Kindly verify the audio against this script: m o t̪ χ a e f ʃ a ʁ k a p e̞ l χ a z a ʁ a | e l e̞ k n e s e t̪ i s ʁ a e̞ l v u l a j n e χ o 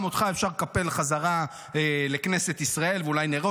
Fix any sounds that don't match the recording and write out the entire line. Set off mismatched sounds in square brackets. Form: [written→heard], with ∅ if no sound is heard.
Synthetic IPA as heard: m o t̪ χ a e f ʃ a ʁ k a p e̞ l χ a z a ʁ a | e l e̞ k n e s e t̪ i s ʁ a e̞ l v u l a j n e [χ→ʁ] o